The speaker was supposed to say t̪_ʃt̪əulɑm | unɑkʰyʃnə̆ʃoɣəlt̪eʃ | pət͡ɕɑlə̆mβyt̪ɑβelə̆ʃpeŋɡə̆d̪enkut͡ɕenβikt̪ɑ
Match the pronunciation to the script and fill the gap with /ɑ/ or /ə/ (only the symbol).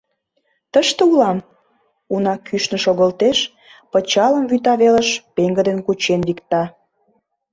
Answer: ə